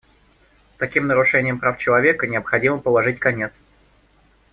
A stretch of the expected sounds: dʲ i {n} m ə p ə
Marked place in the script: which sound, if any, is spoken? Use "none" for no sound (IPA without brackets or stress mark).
none